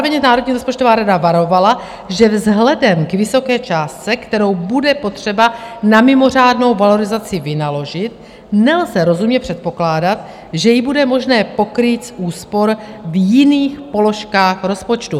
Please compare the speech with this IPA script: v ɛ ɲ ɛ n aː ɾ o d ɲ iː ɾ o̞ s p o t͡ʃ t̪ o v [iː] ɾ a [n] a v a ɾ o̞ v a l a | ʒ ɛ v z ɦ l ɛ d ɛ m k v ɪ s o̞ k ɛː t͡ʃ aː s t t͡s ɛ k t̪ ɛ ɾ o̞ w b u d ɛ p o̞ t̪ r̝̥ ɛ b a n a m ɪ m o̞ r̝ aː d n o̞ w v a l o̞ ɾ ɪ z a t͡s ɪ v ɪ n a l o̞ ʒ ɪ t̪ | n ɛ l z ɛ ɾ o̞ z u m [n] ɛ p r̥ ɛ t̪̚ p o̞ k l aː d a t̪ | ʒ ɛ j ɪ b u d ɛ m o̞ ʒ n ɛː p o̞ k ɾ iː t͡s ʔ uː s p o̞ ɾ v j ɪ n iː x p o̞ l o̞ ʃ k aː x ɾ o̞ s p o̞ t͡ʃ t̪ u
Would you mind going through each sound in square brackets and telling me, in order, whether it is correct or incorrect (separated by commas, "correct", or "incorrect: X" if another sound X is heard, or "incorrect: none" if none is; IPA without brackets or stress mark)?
incorrect: aː, incorrect: d, incorrect: ɲ